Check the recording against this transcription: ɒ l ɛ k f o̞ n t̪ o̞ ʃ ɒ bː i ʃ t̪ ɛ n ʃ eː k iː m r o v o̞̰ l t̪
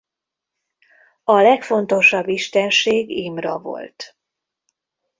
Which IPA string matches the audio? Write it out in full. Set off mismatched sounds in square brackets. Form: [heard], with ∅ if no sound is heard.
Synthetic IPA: ɒ l ɛ k f o̞ n t̪ o̞ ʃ ɒ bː i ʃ t̪ ɛ n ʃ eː [ɡ] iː m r [ɒ] v o̞̰ l t̪